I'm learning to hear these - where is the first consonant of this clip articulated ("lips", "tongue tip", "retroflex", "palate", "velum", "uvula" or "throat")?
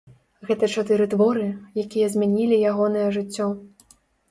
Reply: velum